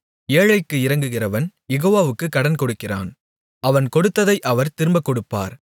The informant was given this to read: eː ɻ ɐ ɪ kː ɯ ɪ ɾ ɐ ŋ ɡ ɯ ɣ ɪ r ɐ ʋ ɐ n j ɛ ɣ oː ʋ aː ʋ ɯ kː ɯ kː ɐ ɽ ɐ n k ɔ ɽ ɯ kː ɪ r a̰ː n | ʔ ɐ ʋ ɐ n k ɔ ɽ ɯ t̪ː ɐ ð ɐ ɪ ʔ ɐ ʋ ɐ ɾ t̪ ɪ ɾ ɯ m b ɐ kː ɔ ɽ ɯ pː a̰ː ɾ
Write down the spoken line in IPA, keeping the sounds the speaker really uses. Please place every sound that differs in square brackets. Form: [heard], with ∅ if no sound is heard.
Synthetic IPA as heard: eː ɻ ɐ ɪ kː ɯ ɪ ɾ ɐ ŋ ɡ ɯ ɣ ɪ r ɐ ʋ ɐ n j ɛ ɣ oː ʋ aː ʋ ɯ kː ɯ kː ɐ ɽ ɐ n k ɔ ɽ ɯ kː ɪ r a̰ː n | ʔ ɐ ʋ ɐ n k ɔ ɽ ɯ t̪ː ɐ ð ɐ ɪ ʔ ɐ ʋ ɐ ɾ t̪ ɪ ɾ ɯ m b ɐ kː ɔ ɽ ɯ pː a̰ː ɾ